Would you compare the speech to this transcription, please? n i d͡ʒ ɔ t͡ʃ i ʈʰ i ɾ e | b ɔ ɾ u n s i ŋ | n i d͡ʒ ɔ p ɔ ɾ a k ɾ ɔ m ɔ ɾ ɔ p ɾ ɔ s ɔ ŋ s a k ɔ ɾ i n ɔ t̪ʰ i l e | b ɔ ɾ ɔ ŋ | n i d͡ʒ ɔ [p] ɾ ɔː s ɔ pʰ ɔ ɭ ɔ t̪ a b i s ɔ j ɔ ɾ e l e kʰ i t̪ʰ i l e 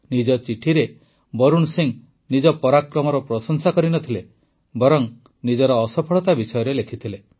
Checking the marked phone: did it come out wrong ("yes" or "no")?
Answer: yes